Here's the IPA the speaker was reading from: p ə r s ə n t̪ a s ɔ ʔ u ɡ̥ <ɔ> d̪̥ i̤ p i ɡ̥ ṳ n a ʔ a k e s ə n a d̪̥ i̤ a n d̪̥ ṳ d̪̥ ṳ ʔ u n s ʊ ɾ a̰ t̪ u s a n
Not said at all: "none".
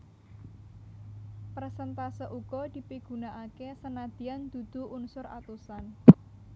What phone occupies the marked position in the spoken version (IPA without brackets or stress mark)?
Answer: ɔ